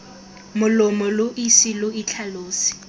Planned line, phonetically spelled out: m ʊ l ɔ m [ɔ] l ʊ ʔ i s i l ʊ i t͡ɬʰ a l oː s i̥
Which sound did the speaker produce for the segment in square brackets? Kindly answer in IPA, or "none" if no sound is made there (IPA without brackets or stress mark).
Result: ɔ